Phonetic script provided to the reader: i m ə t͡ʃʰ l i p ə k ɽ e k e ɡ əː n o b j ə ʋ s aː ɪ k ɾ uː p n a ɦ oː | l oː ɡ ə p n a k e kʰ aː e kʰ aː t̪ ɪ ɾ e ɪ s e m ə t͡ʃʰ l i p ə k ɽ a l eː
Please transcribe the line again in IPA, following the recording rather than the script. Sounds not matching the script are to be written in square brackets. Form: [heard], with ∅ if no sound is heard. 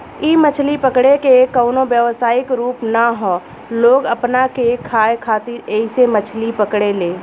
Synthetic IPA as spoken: i m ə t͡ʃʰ l i p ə k ɽ e k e [k] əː n o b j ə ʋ s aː ɪ k ɾ uː p n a ɦ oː | l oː ɡ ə p n a k e kʰ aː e kʰ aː t̪ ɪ ɾ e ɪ s e m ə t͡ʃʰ l i p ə k ɽ [e] l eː